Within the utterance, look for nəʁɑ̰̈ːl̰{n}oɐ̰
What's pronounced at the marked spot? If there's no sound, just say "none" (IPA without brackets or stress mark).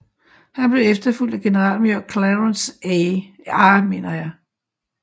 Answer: m